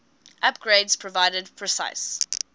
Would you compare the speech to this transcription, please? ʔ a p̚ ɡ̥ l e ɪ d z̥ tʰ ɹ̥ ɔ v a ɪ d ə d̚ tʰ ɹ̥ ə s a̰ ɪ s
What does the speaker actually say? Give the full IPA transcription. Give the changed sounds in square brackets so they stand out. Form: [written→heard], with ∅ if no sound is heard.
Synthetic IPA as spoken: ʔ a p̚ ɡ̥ [l→ɹ] e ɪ d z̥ [tʰ→pʰ] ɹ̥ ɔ v a ɪ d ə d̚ [tʰ→pʰ] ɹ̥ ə s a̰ ɪ s